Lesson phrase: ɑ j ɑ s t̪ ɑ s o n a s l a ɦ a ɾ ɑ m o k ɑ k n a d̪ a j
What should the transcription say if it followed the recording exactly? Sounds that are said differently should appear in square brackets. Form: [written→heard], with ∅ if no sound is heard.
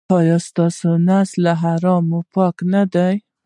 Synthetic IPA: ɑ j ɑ s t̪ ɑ s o n a s l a ɦ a ɾ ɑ m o [k→p] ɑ k n a d̪ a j